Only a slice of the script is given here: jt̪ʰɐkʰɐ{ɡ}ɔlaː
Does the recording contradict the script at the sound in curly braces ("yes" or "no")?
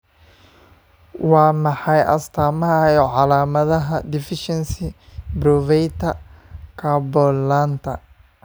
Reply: yes